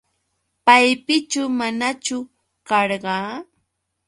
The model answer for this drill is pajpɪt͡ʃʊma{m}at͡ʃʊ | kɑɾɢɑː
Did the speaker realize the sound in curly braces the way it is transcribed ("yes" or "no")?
no